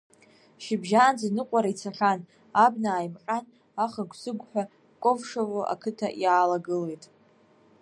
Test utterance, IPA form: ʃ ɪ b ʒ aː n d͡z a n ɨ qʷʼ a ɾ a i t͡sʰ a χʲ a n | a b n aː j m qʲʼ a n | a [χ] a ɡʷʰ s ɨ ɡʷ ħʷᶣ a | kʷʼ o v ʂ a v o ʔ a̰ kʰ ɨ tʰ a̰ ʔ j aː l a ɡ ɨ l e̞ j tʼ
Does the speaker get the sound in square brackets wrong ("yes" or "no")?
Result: no